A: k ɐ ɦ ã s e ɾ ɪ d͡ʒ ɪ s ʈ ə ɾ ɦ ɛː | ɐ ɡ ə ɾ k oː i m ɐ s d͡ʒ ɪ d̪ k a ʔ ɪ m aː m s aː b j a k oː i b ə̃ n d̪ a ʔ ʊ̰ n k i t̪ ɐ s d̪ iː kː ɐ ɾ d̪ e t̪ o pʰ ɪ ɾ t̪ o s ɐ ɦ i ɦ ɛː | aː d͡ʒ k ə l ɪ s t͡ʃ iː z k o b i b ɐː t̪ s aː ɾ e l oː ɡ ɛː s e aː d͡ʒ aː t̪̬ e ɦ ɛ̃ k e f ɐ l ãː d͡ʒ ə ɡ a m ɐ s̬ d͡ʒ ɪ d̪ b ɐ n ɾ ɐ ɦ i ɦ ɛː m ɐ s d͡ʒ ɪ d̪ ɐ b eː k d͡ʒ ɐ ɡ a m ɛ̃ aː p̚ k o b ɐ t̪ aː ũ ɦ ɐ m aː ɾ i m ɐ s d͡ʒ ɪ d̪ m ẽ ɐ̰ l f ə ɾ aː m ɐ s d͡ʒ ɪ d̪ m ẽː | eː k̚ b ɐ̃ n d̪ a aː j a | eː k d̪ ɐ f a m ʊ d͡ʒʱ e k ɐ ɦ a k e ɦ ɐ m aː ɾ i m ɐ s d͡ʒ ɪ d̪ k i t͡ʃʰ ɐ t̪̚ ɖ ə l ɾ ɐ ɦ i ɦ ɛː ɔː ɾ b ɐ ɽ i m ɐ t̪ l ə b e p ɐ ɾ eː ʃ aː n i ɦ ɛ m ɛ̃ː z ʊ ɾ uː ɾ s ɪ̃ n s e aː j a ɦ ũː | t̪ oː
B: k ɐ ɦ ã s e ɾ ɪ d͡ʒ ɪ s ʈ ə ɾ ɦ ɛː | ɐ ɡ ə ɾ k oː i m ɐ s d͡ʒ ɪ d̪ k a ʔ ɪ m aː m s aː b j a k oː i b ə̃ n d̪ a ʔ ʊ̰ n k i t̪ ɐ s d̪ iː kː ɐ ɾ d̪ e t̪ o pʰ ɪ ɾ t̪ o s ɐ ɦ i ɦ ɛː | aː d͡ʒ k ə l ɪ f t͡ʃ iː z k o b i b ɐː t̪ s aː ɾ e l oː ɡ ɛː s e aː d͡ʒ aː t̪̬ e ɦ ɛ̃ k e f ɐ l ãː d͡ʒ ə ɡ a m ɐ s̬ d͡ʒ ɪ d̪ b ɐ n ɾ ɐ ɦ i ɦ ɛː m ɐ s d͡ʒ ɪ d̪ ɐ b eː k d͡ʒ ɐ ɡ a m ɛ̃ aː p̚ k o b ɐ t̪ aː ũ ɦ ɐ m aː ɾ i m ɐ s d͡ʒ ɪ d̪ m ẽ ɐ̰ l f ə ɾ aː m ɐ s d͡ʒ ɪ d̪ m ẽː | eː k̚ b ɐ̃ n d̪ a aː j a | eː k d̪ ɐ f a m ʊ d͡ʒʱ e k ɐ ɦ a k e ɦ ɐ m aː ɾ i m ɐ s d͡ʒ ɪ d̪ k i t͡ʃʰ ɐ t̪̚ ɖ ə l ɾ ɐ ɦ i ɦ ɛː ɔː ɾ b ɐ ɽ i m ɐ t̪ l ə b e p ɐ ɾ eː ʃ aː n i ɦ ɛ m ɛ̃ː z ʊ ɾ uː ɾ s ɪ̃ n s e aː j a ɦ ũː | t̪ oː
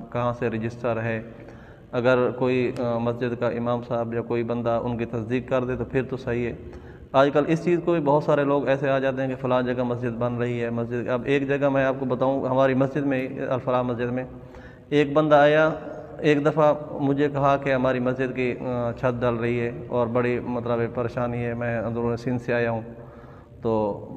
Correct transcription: A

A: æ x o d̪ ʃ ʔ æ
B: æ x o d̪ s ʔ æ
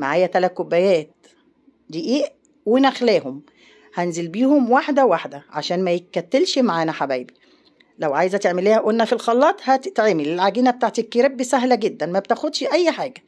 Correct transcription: A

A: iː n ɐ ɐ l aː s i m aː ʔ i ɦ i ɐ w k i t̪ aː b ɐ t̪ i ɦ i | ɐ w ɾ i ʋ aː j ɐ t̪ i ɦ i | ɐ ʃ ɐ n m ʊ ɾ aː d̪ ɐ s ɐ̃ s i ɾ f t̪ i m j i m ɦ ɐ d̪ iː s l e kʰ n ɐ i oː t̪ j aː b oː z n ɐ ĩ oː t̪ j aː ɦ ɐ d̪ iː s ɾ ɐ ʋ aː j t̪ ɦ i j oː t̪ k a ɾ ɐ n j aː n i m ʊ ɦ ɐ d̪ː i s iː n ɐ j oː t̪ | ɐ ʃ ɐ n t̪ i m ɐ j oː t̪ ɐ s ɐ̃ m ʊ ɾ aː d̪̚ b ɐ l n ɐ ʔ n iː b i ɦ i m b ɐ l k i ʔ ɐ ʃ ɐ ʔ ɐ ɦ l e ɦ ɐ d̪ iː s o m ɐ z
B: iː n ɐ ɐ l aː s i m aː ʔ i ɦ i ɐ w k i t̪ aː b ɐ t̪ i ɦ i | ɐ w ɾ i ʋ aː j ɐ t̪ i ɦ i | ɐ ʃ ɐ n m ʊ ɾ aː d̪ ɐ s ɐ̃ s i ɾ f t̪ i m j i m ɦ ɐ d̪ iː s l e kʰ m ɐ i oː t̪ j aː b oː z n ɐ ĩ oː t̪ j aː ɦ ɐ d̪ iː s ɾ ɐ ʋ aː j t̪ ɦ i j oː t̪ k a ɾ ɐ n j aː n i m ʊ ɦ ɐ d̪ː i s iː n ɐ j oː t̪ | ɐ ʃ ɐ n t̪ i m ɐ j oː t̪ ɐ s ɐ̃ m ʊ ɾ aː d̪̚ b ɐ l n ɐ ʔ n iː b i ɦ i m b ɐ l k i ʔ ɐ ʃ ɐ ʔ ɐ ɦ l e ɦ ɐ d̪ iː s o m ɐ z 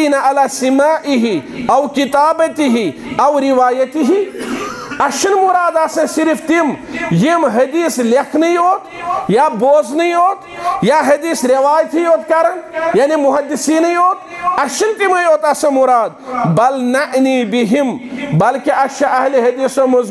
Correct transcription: A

